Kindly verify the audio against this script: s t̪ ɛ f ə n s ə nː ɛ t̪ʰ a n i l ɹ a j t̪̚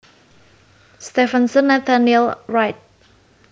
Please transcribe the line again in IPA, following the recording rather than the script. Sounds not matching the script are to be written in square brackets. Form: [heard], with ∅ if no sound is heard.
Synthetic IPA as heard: s t̪ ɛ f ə n s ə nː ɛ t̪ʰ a n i l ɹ a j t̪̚